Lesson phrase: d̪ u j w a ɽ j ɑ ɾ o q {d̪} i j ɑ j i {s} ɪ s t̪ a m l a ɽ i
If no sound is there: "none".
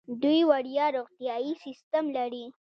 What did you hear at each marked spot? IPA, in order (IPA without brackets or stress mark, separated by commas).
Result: t̪, s